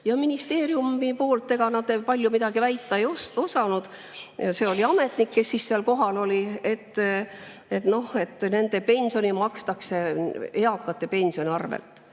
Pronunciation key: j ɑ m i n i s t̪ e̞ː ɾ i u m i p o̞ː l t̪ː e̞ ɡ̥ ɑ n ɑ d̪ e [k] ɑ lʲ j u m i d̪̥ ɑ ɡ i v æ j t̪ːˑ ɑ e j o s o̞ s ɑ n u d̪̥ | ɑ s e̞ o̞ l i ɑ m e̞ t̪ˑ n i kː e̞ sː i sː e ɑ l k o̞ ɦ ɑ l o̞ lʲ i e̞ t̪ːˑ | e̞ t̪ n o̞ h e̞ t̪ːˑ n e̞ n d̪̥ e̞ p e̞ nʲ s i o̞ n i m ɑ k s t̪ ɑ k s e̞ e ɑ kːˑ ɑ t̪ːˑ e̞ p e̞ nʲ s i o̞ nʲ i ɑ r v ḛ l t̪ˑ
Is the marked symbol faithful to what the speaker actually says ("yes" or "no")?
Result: no